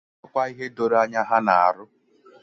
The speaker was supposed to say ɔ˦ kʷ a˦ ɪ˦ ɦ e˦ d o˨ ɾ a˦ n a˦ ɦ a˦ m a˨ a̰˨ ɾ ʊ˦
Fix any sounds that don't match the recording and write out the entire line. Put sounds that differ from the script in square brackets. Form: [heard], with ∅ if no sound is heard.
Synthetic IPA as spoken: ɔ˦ kʷ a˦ [i˦] ɦ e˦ d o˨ ɾ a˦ [ɲ] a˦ ɦ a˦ [n] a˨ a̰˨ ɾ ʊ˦

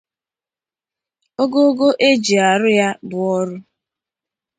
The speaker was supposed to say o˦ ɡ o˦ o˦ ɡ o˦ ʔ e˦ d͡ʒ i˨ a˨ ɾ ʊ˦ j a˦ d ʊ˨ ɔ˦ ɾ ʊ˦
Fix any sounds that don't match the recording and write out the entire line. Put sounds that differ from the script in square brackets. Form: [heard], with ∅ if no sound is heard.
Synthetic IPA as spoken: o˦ ɡ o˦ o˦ ɡ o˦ ʔ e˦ d͡ʒ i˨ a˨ ɾ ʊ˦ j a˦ [b] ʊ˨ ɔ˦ ɾ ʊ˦

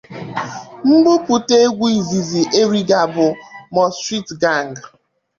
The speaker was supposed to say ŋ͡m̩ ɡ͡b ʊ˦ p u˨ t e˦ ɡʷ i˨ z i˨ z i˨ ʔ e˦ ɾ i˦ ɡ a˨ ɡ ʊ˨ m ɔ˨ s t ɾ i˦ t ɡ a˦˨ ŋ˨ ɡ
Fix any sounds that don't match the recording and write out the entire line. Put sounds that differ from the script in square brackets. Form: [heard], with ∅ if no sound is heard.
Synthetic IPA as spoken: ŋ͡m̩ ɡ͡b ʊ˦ p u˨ t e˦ ɡʷ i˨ z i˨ z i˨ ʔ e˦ ɾ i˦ ɡ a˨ [b] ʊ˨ m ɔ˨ s t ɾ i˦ t ɡ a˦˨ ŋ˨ ɡ

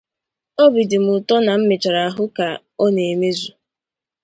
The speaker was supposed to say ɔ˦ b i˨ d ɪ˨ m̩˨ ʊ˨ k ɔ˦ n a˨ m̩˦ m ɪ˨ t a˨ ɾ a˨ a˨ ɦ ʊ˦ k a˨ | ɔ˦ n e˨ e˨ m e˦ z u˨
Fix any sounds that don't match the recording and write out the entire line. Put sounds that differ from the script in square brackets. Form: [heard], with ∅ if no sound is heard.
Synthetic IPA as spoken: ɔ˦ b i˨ d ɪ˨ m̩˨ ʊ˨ [t] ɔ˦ n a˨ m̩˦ m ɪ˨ [t͡ʃ] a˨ ɾ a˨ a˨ ɦ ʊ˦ k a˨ | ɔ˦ n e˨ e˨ m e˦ z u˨

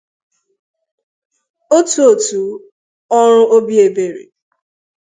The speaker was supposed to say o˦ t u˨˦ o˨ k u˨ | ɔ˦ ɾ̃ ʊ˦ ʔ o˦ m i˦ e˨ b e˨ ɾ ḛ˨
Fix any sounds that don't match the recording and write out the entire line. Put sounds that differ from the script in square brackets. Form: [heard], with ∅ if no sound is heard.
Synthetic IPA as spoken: o˦ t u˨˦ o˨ [t] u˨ | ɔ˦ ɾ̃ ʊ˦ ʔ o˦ [b] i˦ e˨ b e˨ ɾ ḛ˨

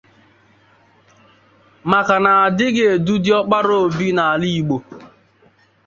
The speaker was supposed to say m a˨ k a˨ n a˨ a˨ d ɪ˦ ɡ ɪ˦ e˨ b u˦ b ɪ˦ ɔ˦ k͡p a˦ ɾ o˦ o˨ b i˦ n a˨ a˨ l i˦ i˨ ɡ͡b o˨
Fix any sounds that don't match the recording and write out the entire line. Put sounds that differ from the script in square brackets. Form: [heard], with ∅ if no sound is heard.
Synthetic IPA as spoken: m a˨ k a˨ n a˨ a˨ d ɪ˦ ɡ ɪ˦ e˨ [d] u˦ [d] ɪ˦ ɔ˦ k͡p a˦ ɾ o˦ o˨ b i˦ n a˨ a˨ l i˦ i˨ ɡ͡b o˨

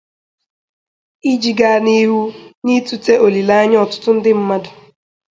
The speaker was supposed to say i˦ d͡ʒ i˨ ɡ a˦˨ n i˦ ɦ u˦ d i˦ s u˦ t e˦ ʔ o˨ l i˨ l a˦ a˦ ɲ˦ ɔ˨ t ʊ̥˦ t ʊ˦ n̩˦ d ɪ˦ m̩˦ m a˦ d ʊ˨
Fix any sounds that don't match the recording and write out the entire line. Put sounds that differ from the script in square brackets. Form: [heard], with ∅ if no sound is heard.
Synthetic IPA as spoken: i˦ d͡ʒ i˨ ɡ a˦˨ n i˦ ɦ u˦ [n] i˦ [t] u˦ t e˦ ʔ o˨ l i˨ l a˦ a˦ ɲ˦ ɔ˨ t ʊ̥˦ t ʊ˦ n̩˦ d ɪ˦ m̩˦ m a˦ d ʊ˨

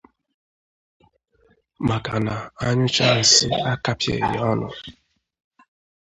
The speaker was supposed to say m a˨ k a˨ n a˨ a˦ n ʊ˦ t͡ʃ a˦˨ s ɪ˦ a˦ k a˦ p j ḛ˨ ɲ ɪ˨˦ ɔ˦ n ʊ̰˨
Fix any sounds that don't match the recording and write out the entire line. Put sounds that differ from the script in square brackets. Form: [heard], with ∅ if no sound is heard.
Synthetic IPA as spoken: m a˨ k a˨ n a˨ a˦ [ɲ] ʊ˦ t͡ʃ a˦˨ s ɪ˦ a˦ k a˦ p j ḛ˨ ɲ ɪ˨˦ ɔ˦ n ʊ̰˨

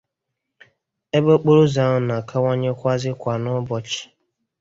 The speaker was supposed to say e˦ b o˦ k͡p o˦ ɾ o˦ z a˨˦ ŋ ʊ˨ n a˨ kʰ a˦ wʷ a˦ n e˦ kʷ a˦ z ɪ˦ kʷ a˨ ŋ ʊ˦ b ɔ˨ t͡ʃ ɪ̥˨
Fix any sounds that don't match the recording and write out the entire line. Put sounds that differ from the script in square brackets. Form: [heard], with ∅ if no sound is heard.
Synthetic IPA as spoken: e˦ b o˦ k͡p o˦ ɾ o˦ z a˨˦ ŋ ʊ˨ n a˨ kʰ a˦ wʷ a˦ [ɲ] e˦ kʷ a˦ z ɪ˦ kʷ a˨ [n] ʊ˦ b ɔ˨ t͡ʃ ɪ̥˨

